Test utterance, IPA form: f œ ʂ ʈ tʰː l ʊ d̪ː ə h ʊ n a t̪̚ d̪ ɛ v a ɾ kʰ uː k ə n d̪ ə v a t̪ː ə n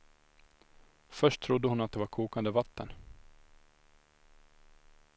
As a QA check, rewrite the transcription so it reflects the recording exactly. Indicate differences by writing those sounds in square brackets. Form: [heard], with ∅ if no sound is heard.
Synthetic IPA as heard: f œ ʂ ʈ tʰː [ɾ] ʊ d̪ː ə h ʊ n a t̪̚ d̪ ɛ v a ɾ kʰ uː k [a] n d̪ ə v a t̪ː ə n